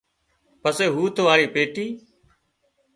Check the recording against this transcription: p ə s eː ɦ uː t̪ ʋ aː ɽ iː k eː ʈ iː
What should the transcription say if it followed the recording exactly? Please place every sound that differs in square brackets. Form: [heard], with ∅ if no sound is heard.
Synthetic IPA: p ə s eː ɦ uː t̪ ʋ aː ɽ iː [p] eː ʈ iː